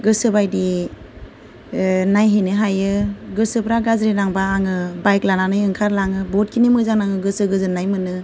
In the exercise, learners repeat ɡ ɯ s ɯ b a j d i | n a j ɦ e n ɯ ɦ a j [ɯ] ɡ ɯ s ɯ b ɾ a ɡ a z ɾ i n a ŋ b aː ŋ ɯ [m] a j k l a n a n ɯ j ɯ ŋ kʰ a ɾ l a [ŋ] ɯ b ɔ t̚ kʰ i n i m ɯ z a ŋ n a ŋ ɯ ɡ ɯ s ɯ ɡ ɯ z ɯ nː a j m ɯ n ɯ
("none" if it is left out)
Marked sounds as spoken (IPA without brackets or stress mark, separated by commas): ɯ, b, ŋ